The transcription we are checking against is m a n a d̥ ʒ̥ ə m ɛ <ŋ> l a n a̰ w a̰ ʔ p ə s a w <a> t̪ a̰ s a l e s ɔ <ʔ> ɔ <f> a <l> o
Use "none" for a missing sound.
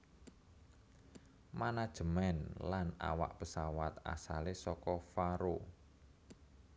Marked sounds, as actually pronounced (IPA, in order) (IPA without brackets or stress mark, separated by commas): n, a, k, f, ɾ